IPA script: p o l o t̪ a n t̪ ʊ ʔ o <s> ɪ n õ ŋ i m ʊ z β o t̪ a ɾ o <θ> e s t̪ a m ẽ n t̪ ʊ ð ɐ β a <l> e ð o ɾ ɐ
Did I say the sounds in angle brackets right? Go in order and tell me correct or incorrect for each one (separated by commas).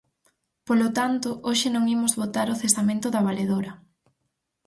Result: incorrect, correct, correct